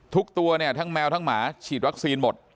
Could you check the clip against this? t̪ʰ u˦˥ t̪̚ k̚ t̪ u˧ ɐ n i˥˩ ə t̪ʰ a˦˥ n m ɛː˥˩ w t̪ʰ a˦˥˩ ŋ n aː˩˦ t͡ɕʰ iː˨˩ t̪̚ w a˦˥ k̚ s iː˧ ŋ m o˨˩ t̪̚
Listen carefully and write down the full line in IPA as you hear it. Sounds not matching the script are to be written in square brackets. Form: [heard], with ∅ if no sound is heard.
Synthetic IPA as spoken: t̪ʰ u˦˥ [∅] k̚ t̪ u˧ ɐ n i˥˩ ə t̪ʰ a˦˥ [ŋ] m [ɛː˧] w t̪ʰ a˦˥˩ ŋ [m] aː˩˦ t͡ɕʰ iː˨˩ t̪̚ w a˦˥ k̚ s iː˧ [n] m o˨˩ t̪̚